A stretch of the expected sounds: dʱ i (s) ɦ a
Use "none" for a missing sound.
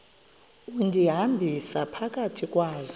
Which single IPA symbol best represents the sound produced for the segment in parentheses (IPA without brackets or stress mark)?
none